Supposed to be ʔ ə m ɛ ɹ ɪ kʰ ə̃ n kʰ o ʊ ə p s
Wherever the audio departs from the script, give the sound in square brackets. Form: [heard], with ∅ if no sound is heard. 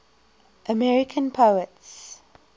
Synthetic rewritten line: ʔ ə m ɛ ɹ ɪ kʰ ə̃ n [pʰ] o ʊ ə [t] s